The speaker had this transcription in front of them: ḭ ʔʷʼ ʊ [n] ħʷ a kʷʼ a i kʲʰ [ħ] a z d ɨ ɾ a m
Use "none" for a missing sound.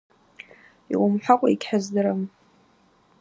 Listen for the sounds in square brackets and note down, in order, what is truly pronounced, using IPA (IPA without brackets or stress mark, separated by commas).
m, ħ